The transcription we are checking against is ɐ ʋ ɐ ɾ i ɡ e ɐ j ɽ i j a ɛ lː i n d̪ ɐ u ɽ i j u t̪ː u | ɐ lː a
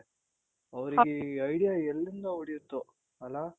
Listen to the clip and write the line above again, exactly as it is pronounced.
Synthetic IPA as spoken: ɐ ʋ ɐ ɾ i ɡ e ɐ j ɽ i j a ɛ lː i n d̪ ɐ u ɽ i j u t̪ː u | ɐ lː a

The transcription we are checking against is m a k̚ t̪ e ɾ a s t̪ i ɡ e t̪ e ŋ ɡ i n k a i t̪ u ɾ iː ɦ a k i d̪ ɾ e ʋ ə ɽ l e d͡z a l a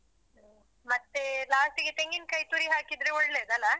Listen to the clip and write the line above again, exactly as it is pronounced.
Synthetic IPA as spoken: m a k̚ t̪ e l a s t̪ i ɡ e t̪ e ŋ ɡ i n k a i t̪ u ɾ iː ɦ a k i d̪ ɾ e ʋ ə ɽ l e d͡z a l a

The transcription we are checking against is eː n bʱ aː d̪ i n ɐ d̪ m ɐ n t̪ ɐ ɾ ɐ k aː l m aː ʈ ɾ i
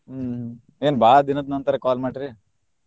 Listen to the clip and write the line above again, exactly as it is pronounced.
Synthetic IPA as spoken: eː n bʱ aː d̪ i n ɐ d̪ n ɐ n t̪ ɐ ɾ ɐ k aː l m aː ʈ ɾ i

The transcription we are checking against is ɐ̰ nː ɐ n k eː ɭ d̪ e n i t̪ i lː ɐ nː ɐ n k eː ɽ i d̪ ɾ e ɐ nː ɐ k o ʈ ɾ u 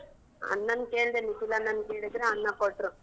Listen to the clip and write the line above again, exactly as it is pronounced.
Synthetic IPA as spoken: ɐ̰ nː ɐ n k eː ɭ d̪ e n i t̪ i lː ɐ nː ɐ n k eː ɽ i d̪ ɾ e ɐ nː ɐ k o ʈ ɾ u

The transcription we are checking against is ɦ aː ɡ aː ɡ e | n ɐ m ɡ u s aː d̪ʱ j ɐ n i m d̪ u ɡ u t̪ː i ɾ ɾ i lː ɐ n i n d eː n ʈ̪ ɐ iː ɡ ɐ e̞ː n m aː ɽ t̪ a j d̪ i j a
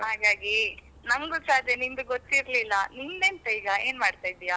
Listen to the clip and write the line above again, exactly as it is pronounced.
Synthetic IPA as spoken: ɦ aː ɡ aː ɡ i | n ɐ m ɡ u s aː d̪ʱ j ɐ n i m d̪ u ɡ o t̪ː i ɾ l i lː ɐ n i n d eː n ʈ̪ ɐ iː ɡ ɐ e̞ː n m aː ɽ t̪ a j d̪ i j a

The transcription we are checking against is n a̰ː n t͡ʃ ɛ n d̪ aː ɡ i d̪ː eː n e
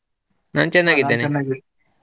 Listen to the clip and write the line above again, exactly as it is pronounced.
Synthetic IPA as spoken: n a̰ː n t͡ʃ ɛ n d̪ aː ɡ i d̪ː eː n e

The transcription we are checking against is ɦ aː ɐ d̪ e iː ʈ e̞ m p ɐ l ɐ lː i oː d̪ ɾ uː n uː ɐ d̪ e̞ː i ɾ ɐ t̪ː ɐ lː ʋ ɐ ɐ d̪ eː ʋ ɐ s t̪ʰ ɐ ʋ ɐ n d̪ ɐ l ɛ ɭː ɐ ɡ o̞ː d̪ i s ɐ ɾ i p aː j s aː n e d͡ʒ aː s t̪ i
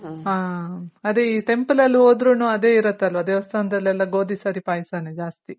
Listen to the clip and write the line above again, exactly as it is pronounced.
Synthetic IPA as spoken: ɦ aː ɐ d̪ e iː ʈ e̞ m p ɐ l ɐ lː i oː d̪ ɾ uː n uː ɐ d̪ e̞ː i ɾ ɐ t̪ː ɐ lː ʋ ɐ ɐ d̪ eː ʋ ɐ s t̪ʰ ɐ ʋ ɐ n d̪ ɐ l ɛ lː ɐ ɡ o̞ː d̪ i s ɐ ɾ i p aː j s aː n e d͡ʒ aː s t̪ i

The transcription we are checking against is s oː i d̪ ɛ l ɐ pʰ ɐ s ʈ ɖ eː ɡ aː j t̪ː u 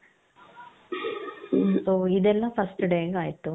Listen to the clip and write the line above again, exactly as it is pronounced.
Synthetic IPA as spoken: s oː i d̪ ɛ lː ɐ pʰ ɐ s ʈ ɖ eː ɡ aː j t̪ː u

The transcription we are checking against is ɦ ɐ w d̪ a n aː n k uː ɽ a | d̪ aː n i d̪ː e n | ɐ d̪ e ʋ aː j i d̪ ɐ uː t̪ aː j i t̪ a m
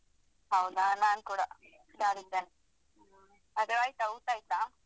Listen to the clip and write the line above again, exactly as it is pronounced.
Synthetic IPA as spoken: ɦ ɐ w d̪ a n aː n k uː ɽ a | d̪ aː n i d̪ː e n | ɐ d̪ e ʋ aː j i t̪ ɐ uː t̪ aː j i t̪ a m

